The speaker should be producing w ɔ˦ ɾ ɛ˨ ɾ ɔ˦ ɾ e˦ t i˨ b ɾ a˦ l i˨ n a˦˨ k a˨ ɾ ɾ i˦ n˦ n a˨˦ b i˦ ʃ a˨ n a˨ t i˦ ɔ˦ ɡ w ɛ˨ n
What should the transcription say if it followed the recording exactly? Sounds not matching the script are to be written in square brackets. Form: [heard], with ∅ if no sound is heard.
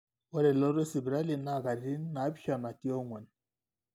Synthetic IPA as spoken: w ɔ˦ ɾ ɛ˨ [l] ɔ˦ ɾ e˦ [s] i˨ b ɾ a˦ l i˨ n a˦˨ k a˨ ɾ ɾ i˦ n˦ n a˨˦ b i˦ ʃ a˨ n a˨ t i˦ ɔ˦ [ŋ] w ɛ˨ n